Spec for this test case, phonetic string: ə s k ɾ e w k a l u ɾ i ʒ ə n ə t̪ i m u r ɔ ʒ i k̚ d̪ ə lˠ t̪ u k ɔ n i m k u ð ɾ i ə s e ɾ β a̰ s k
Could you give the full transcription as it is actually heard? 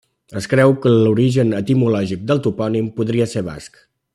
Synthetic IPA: ə s k ɾ ɛ w k ə l u ɾ i ʒ ə n ə t̪ i m u l ɔ ʒ i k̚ d̪ ə lˠ t̪ u p ɔ n i m p u ð ɾ i ə s e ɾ β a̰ s k